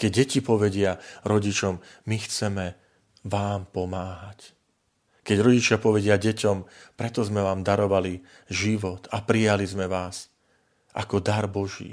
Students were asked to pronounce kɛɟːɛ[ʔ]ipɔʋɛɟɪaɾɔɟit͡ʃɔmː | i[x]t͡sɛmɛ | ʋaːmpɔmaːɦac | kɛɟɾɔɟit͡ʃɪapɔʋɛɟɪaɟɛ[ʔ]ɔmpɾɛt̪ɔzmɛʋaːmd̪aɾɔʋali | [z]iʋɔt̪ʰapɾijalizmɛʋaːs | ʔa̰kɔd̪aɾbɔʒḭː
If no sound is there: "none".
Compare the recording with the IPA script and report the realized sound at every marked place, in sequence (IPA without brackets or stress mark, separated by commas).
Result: c, x, c, ʒ